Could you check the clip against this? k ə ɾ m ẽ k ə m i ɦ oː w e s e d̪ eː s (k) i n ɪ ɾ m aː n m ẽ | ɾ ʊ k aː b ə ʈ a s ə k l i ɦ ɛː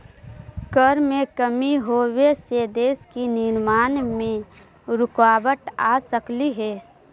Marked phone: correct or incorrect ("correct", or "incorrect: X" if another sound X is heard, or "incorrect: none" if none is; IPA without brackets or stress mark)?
correct